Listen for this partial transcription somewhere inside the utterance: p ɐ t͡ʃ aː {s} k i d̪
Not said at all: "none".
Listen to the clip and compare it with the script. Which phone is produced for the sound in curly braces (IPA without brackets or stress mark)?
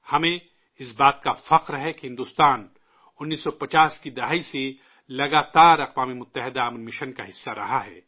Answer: s